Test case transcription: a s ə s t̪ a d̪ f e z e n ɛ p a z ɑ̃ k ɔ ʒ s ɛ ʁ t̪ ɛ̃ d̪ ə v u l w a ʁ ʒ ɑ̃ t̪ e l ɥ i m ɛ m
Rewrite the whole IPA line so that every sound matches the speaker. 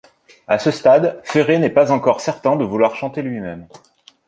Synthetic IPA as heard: a s ə s t̪ a d̪ f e ʁ e n ɛ p a z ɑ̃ k ɔ ʁ s ɛ ʁ t̪ ɛ̃ d̪ ə v u l w a ʁ ʃ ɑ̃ t̪ e l ɥ i m ɛ m